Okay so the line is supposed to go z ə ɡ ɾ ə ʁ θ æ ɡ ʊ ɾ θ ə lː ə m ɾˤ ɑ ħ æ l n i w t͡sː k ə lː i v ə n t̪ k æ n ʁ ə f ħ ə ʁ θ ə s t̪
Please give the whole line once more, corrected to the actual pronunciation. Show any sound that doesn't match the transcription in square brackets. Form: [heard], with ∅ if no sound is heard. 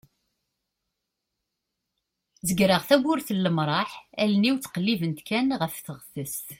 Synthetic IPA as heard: z ə ɡ ɾ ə ʁ θ æ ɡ ʊ ɾ θ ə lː ə m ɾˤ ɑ ħ æ l n i w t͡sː [q] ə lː i v ə n t̪ k æ n ʁ ə f [θ] ə ʁ θ ə s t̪